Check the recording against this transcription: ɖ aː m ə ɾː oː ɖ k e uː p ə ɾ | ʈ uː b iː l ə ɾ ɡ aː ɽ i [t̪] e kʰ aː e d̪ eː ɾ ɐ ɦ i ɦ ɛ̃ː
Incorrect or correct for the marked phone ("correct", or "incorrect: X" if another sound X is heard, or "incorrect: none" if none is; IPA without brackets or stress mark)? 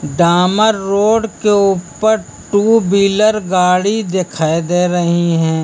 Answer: incorrect: d̪